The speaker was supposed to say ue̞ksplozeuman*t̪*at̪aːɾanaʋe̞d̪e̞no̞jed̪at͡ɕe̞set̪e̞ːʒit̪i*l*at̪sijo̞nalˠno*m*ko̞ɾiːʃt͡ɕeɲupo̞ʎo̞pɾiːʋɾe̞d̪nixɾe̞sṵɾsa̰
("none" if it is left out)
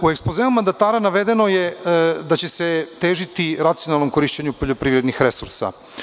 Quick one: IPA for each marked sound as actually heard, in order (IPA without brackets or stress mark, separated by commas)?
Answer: d̪, ɾ, m